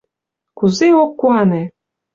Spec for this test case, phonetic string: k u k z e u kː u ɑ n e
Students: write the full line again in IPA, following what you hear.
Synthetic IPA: k u z e o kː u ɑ n e